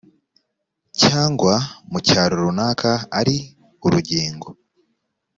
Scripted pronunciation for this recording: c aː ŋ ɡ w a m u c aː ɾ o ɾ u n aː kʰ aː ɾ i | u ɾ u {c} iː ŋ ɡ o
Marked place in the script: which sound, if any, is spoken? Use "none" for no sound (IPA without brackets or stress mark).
ɟ